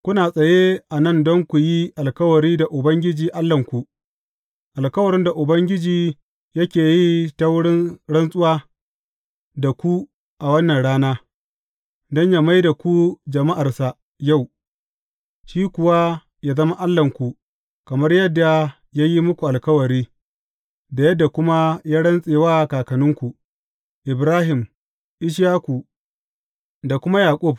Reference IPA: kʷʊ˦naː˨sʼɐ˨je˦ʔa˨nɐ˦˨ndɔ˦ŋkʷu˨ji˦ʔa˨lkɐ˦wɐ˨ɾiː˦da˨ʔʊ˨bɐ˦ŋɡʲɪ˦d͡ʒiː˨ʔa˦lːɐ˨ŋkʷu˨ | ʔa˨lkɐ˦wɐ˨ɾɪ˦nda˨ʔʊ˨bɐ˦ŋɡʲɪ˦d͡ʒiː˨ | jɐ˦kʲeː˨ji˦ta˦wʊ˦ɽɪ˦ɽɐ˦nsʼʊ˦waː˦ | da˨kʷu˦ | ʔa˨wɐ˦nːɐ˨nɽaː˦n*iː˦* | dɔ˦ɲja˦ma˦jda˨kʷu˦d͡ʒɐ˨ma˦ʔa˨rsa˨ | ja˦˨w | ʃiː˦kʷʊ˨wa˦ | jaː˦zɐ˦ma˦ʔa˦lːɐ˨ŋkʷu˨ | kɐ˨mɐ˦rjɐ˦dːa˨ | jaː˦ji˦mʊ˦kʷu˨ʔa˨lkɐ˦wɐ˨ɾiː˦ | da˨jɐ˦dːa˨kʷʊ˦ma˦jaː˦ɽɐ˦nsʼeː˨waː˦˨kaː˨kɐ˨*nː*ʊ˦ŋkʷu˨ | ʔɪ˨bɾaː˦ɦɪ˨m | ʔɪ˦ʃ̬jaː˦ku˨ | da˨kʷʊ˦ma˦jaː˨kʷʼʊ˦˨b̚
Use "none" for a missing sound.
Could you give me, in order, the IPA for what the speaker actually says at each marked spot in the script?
aː˦, n

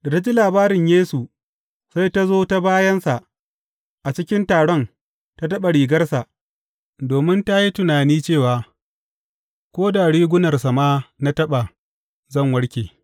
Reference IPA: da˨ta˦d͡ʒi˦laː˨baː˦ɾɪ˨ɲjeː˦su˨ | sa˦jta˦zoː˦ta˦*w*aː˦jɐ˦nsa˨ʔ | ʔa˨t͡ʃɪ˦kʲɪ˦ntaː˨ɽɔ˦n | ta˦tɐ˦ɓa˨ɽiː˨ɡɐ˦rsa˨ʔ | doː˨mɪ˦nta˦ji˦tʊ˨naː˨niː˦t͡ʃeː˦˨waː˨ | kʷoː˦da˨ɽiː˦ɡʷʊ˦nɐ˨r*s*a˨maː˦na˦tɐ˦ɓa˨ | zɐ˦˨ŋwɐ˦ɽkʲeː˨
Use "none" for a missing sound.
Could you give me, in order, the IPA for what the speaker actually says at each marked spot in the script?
b, s

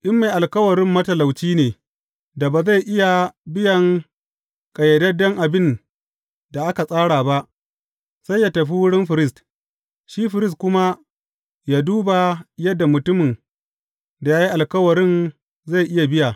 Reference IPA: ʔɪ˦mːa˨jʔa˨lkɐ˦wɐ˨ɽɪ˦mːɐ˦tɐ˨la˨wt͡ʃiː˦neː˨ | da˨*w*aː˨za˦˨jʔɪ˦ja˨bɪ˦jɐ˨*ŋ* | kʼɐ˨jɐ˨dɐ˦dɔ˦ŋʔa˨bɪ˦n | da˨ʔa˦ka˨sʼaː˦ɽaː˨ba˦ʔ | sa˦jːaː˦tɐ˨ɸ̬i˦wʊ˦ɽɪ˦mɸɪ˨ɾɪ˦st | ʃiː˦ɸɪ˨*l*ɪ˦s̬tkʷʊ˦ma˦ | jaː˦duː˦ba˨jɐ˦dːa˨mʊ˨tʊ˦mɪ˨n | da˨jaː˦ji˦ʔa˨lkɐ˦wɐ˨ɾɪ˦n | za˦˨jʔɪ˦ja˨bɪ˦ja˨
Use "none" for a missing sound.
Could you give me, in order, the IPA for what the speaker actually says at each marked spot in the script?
b, ŋ, ɾ

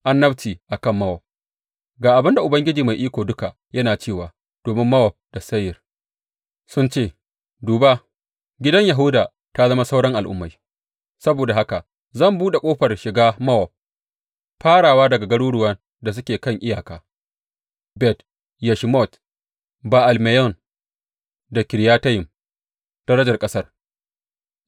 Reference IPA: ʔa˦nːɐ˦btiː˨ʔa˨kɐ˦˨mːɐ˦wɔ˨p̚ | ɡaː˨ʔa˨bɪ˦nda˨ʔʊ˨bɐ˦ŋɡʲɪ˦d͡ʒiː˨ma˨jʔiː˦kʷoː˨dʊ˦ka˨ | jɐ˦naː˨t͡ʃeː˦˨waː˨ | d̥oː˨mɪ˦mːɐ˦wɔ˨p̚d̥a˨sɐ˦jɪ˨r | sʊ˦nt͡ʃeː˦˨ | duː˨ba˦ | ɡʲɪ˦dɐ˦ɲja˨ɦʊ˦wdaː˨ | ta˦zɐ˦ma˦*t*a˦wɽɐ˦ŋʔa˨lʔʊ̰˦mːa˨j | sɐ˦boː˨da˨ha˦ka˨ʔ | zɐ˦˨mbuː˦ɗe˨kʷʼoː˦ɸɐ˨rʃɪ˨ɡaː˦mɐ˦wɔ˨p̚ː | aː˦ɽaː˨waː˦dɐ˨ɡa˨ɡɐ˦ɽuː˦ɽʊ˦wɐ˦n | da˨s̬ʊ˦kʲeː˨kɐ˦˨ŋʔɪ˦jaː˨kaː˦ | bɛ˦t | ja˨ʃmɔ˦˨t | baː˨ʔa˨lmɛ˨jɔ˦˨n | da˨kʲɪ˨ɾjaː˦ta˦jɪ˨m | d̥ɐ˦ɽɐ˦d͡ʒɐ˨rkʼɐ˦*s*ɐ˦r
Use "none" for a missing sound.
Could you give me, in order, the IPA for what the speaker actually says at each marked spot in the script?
s, s

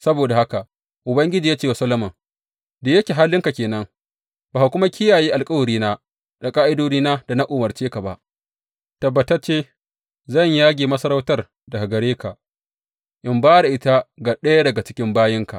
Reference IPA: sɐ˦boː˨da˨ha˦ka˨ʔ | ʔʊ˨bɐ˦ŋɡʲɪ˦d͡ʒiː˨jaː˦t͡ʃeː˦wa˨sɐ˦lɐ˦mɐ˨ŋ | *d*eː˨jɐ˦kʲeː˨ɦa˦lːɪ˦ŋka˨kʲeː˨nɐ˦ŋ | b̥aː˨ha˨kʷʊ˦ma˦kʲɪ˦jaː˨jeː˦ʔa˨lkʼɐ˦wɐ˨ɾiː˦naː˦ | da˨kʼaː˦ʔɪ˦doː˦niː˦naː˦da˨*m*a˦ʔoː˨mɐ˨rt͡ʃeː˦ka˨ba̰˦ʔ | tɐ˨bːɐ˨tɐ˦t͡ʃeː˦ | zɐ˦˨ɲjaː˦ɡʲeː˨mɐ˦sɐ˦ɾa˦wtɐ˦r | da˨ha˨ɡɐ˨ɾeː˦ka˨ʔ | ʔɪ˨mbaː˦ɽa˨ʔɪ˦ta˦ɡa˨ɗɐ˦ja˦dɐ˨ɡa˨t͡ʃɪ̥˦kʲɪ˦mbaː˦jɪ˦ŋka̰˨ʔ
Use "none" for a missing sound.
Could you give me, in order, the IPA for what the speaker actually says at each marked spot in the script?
d, n

